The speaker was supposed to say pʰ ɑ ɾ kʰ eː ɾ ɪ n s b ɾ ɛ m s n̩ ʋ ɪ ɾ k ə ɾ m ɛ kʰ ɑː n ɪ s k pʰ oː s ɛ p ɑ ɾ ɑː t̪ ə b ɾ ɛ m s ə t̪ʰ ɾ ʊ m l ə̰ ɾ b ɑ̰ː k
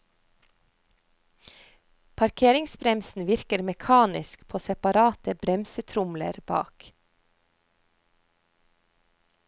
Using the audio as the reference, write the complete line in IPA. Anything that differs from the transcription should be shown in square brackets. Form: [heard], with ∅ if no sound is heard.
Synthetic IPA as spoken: pʰ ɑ ɾ kʰ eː ɾ ɪ [ŋ] s b ɾ ɛ m s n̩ ʋ ɪ ɾ k ə ɾ m ɛ kʰ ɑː n ɪ s k pʰ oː s ɛ p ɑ ɾ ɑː t̪ ə b ɾ ɛ m s ə t̪ʰ ɾ ʊ m l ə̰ ɾ b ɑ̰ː k